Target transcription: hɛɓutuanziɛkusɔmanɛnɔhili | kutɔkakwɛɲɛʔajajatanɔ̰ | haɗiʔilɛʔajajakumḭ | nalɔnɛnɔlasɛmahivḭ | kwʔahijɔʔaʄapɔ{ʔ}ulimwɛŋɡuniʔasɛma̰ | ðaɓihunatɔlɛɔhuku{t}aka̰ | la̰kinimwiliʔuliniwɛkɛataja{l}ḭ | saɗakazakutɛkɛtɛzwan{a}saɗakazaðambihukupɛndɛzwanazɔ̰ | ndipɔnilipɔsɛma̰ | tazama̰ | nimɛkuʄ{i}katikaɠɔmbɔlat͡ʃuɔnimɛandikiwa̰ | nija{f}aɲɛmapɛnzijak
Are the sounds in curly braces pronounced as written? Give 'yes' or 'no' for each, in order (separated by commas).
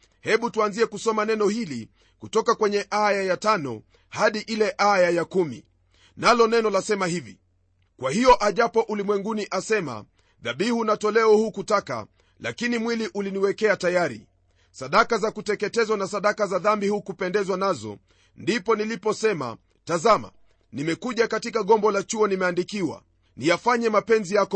yes, yes, no, yes, no, yes